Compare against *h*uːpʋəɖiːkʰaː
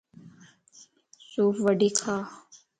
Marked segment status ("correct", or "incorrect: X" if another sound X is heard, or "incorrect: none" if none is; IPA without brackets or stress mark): incorrect: s